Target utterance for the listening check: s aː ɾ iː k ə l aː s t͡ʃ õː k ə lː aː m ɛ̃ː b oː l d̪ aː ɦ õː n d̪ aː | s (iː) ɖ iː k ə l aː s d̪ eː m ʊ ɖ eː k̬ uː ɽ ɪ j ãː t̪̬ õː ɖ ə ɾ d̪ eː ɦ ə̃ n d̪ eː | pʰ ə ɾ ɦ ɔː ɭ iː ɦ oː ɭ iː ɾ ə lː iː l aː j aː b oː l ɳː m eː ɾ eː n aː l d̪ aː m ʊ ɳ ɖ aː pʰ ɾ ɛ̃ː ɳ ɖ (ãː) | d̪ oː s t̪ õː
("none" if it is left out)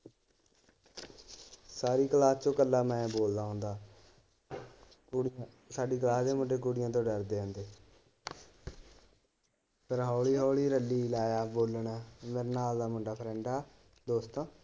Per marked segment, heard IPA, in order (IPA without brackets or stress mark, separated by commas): aː, aː